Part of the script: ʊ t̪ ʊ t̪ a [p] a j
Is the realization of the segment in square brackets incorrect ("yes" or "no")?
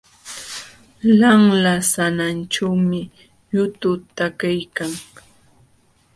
yes